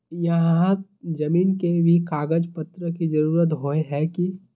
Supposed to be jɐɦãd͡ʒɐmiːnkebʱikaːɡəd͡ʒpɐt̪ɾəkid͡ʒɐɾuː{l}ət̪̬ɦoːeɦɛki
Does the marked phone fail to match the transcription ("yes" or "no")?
yes